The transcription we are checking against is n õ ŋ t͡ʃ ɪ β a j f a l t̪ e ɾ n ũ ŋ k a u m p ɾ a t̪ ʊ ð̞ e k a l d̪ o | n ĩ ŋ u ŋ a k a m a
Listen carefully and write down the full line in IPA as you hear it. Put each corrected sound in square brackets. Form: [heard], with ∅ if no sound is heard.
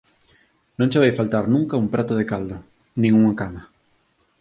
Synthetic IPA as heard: n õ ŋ t͡ʃ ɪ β a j f a l t̪ [a] ɾ n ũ ŋ k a u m p ɾ a t̪ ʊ ð̞ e k a l d̪ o | n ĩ ŋ u ŋ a k a m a